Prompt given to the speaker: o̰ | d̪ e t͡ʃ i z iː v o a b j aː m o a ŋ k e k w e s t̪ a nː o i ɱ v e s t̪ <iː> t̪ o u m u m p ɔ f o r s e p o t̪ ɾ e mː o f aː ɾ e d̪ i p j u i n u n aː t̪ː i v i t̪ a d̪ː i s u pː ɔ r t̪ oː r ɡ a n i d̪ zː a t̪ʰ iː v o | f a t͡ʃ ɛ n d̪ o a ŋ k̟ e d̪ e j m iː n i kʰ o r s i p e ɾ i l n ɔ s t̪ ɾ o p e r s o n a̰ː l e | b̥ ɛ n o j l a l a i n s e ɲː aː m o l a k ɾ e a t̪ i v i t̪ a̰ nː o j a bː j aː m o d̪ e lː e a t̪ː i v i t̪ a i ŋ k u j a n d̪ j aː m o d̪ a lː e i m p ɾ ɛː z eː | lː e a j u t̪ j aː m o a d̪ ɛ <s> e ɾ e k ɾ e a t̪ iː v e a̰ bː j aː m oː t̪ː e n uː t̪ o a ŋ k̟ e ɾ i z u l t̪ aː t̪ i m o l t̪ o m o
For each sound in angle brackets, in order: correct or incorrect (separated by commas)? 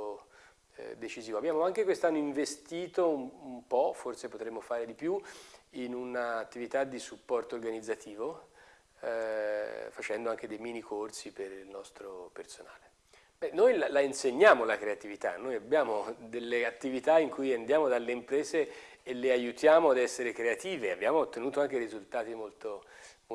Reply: correct, incorrect